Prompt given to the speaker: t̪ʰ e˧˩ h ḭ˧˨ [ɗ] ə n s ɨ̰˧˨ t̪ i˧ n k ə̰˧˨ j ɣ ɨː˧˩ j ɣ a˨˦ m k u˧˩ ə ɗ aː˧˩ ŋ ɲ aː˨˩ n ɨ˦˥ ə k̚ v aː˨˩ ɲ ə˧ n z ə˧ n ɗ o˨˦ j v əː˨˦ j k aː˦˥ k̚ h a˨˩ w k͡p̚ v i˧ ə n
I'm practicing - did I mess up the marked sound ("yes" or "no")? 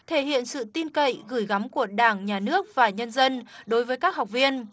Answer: yes